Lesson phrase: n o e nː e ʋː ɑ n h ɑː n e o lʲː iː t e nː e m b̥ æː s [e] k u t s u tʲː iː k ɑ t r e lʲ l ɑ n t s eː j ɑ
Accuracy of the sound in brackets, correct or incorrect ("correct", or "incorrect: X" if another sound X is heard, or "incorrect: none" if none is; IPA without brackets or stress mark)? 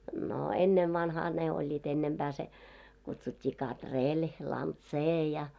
correct